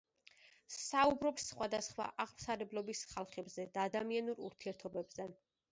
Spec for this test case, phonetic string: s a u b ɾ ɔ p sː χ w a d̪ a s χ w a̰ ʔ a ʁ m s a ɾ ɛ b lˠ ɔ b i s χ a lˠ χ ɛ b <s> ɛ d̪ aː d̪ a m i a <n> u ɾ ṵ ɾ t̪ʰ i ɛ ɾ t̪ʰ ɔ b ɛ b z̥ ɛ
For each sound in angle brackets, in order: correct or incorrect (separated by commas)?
incorrect, correct